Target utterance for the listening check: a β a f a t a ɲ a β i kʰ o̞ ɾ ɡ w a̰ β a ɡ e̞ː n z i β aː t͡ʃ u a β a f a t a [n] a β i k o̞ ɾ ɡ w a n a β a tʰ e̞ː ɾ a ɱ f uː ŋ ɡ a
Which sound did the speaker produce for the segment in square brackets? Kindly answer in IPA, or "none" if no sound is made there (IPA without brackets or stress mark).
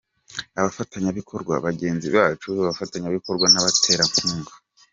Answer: ɲ